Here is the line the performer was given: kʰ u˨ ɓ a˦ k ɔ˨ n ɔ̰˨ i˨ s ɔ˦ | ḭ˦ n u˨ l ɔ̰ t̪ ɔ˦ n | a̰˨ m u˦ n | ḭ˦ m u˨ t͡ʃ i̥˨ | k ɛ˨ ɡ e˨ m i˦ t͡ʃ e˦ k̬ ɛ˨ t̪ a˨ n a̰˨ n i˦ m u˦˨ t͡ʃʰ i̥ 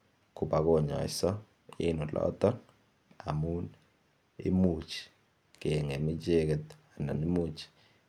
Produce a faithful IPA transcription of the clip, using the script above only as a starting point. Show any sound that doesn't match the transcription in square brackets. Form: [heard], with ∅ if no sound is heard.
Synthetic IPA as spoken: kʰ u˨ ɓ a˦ k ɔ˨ [ɲ] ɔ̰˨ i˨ s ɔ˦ | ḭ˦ n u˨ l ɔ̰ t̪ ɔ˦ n | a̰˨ m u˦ n | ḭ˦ m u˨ t͡ʃ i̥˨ | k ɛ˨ [ŋ] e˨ m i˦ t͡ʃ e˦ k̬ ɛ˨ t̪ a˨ n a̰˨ n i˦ m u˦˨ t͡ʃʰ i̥